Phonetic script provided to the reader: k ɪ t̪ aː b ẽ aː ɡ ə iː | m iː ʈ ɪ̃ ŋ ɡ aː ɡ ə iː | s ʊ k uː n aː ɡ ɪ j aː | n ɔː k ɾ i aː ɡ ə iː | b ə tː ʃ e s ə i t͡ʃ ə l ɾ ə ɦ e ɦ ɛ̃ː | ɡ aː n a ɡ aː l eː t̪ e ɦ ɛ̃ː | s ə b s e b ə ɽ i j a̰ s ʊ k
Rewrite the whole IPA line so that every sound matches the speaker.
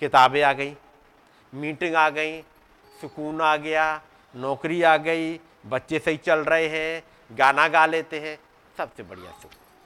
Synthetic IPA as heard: k ɪ t̪ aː b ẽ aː ɡ ə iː | m iː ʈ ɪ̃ ŋ ɡ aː ɡ ə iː | s ʊ k uː n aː ɡ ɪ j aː | n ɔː k ɾ i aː ɡ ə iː | b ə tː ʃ e s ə i t͡ʃ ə l ɾ ə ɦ e ɦ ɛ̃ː | ɡ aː n a ɡ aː l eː t̪ e ɦ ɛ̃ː | s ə b s e b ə ɽ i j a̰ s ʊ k